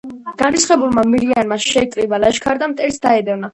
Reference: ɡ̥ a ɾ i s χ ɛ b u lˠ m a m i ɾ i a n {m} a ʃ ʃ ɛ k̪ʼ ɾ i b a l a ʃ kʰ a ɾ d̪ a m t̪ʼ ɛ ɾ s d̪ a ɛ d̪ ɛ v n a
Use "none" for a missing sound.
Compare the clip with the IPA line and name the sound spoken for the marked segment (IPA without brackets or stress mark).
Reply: m